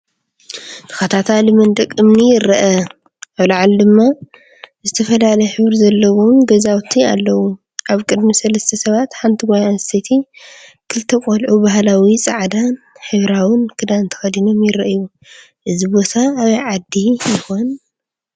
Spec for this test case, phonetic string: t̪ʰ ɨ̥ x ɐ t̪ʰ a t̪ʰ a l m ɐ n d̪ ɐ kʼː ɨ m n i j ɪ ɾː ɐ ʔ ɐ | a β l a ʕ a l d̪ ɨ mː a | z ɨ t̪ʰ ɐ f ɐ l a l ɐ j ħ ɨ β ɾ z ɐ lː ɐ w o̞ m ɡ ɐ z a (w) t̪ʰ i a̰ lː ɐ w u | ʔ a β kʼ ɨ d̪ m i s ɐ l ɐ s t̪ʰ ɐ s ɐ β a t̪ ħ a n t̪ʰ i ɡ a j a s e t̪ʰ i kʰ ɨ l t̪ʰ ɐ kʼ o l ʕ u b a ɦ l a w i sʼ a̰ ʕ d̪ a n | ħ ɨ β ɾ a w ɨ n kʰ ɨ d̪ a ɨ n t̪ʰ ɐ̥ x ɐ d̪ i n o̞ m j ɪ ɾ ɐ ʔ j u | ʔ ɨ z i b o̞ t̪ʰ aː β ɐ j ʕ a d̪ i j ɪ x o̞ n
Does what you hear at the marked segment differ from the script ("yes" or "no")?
no